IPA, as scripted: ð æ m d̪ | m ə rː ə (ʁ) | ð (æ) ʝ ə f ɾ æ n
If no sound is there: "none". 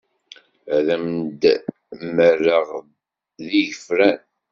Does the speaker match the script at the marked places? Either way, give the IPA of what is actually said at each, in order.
ʁ, i

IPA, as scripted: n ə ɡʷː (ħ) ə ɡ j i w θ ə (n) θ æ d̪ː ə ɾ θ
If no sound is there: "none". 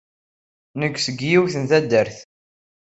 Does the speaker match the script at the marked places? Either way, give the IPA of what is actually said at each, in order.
s, n

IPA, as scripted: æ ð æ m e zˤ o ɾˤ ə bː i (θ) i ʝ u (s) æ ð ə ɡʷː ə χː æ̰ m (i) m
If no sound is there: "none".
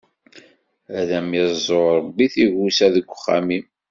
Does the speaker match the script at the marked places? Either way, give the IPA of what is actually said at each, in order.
θ, s, i

